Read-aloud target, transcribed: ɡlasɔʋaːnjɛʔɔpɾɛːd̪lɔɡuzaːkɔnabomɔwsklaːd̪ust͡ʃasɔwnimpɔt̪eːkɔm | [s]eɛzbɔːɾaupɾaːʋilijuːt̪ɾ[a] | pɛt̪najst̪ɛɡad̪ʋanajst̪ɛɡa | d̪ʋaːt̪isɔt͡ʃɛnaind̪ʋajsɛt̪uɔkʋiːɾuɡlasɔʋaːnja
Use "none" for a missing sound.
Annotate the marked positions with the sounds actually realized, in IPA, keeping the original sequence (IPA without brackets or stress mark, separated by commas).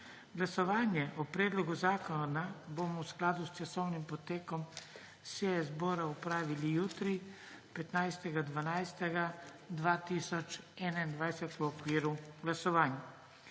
s, i